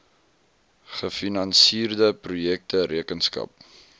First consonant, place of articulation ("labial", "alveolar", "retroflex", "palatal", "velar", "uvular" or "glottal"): uvular